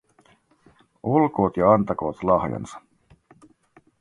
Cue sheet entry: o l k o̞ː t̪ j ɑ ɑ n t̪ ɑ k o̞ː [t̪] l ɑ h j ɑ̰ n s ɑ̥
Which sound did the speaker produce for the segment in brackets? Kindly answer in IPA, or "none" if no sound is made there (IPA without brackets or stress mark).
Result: t̪